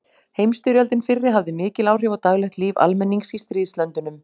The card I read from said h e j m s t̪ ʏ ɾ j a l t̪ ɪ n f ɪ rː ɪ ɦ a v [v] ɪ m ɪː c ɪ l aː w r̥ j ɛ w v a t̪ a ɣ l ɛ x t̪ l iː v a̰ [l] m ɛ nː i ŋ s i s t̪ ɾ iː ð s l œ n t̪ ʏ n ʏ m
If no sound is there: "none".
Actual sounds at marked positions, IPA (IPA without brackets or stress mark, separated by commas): ð, l